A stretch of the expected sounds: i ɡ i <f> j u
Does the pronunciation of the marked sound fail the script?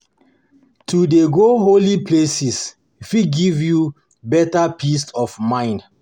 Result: yes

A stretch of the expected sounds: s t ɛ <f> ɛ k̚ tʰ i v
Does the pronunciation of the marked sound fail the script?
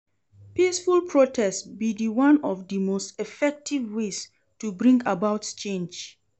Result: no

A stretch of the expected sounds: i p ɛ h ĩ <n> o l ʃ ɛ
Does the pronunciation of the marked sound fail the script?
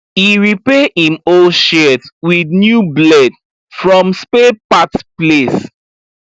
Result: yes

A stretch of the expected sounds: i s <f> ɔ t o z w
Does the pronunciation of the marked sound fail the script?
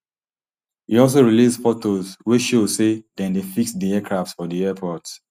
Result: no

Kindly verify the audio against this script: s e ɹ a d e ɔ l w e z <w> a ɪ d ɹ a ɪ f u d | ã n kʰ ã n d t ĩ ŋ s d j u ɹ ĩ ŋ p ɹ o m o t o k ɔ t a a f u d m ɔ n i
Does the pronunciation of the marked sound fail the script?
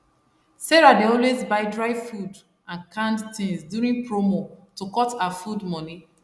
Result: yes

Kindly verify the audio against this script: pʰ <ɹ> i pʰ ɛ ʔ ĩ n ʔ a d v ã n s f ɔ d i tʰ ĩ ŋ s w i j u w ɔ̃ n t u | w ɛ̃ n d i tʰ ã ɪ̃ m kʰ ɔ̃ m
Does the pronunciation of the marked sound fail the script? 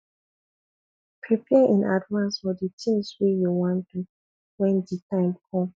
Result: no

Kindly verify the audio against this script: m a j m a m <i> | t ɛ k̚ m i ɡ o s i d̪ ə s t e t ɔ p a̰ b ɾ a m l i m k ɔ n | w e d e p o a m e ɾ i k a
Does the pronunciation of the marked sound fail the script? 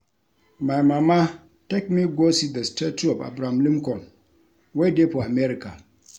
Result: yes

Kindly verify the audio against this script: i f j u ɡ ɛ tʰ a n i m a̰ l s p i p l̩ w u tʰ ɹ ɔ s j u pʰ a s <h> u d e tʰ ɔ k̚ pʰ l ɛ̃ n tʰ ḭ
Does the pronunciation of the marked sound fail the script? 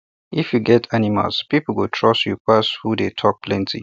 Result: no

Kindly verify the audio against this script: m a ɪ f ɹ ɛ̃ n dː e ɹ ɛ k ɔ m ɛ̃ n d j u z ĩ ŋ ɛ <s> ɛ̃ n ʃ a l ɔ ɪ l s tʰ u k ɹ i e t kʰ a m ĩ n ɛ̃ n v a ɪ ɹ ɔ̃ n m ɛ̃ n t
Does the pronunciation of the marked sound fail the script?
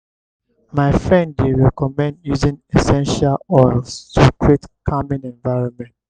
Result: no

